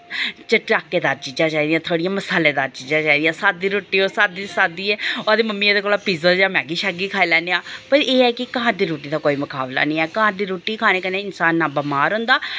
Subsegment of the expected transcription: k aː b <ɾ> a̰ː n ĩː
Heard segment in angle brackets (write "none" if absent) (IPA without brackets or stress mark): l